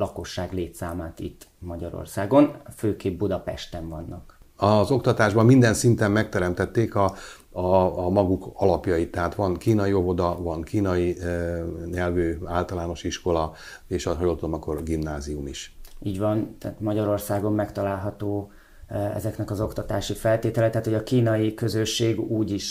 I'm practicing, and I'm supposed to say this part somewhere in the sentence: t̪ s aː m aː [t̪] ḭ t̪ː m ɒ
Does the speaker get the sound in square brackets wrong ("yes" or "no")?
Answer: no